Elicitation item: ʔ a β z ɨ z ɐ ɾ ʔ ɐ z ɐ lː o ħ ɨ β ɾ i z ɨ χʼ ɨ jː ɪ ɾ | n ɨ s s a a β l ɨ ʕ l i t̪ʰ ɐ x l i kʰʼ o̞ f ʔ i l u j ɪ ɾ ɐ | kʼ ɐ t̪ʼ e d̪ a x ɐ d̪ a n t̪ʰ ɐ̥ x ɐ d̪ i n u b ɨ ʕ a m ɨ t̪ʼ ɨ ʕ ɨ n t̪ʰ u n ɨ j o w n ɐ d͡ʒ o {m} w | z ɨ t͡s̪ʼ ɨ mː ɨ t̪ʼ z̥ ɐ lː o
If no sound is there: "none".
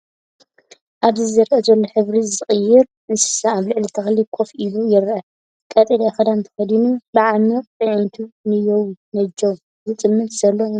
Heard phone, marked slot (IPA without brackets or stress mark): none